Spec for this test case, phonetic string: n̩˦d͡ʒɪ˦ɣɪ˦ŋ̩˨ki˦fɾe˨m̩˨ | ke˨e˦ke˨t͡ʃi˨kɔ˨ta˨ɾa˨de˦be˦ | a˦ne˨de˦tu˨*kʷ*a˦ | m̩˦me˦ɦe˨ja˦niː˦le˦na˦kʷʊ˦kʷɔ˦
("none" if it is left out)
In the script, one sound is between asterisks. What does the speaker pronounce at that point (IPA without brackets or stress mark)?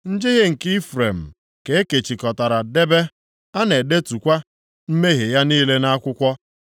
kʷ